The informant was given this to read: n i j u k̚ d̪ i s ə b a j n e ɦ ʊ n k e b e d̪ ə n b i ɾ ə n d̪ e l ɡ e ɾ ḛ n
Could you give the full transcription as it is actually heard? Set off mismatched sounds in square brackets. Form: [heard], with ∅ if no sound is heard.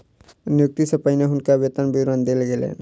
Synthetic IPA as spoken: n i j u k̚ [t̪] i s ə [p] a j n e ɦ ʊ n k [a] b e [t̪] ə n b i ɾ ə n d̪ e l ɡ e [l] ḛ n